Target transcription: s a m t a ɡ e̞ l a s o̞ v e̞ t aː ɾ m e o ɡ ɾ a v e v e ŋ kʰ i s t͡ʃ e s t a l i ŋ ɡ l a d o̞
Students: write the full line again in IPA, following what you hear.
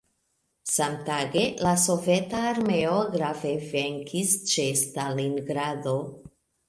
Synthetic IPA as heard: s a m t a ɡ e̞ l a s o̞ v e̞ t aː ɾ m e o ɡ ɾ a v e v e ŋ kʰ i s t͡ʃ e s t a l i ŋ ɡ ɾ a d o̞